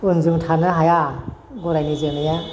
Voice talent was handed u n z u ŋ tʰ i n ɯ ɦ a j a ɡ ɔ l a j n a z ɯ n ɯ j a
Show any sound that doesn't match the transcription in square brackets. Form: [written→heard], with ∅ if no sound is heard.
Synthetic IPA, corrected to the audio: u n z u ŋ tʰ [i→a] n ɯ ɦ a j a ɡ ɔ [l→ɾ] a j n [a→i] z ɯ n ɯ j a